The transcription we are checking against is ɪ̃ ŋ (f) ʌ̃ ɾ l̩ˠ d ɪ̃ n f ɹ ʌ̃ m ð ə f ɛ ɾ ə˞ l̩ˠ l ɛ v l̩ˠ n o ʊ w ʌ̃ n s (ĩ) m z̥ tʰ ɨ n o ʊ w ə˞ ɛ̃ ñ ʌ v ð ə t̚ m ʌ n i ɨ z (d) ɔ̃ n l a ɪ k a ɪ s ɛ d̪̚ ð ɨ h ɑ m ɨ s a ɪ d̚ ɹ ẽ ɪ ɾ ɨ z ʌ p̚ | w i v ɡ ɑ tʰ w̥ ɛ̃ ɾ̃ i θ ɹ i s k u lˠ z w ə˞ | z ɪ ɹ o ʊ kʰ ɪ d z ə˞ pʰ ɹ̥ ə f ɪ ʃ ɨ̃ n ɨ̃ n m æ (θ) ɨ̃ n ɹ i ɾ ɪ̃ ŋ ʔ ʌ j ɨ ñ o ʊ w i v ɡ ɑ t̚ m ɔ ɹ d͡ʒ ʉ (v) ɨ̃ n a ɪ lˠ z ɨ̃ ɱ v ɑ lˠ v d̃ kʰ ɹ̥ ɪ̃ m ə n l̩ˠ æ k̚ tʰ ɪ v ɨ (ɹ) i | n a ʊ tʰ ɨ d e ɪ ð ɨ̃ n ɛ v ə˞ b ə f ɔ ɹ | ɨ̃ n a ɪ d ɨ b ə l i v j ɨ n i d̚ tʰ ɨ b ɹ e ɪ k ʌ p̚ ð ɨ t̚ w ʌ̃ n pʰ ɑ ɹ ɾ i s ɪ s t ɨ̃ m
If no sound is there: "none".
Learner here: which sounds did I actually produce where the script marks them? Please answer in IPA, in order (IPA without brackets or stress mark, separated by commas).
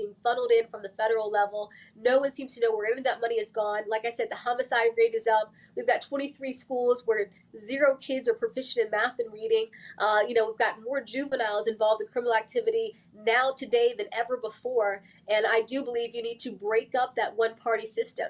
f, ĩ, ɡ, θ, v, ɾ